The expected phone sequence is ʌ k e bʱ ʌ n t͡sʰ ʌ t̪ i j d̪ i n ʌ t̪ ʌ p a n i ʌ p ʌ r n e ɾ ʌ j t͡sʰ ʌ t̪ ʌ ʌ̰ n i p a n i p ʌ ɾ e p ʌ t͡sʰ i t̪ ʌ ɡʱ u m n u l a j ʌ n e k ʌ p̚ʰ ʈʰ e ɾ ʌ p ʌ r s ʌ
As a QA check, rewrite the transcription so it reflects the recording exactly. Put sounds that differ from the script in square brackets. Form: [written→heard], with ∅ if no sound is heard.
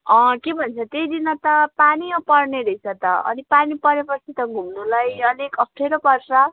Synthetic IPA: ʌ k e bʱ ʌ n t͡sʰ ʌ t̪ [i→e] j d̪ i n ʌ t̪ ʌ p a n i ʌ p ʌ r n e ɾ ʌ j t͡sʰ ʌ t̪ ʌ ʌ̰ n i p a n i p ʌ ɾ e p ʌ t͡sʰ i t̪ ʌ ɡʱ u m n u l a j ʌ n e k ʌ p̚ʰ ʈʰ e ɾ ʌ p ʌ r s ʌ